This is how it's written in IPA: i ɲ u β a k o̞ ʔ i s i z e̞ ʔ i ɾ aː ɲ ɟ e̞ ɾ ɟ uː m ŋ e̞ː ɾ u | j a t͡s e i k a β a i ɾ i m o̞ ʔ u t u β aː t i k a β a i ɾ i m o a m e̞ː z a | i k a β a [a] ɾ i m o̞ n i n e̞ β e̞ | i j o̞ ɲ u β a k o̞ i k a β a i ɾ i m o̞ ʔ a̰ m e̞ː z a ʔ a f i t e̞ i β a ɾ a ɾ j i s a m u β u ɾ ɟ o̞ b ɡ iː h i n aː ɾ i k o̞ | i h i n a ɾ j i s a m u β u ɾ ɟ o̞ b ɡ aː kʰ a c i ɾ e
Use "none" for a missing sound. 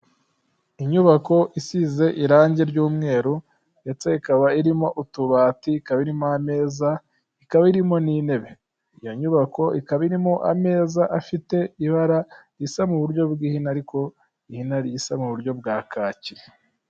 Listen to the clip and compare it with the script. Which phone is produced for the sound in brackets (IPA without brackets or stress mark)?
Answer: i